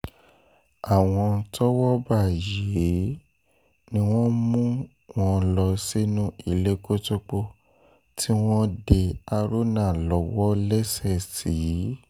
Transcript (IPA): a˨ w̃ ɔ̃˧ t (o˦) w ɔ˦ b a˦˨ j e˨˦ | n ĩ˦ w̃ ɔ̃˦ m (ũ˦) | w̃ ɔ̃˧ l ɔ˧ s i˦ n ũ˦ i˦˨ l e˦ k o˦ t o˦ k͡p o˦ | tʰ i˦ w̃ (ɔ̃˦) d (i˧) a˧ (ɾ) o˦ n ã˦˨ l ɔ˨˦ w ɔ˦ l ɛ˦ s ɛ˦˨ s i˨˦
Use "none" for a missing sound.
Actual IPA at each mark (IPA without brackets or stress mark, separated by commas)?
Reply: ɔ˦, ũ˦, ɔ̃˦, e˧, ɾ